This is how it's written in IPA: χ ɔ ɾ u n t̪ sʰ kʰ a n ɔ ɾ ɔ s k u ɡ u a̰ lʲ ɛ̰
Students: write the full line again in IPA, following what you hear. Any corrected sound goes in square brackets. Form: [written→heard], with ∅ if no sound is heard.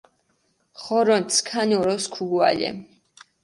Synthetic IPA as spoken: χ ɔ ɾ [u→ɔ] n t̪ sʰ kʰ a n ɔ ɾ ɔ s [k→kʰ] u ɡ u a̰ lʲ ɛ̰